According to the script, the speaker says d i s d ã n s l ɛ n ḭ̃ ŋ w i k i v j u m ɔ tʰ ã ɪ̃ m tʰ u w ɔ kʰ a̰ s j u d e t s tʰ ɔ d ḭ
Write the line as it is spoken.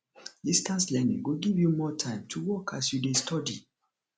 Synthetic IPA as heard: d i s t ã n s l ɛ n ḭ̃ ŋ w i ɡ i v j u m ɔ tʰ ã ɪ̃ m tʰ u w ɔ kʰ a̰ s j u d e s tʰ ɔ d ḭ